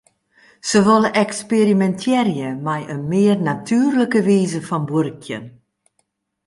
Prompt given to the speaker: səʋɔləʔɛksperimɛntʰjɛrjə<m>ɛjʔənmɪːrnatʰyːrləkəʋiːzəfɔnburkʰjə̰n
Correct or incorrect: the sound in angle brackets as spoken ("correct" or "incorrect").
correct